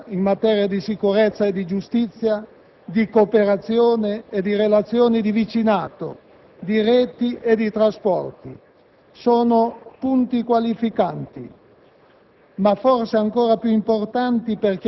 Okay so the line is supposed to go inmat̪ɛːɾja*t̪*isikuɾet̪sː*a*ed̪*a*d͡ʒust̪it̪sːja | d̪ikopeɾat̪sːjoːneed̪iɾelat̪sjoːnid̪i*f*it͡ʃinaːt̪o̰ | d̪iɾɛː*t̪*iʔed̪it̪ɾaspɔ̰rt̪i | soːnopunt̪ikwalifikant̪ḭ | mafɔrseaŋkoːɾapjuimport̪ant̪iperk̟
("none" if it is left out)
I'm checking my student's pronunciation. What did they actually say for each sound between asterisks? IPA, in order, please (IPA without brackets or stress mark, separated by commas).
d̪, a, i, v, t̪